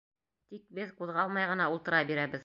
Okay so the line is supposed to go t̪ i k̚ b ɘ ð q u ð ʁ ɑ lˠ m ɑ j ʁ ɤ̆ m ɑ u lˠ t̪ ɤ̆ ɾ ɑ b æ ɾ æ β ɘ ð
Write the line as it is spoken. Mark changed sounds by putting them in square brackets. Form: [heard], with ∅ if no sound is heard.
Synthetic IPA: t̪ i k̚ b ɘ ð q u ð ʁ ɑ lˠ m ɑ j ʁ ɤ̆ [n] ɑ u lˠ t̪ ɤ̆ ɾ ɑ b [i] ɾ æ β ɘ ð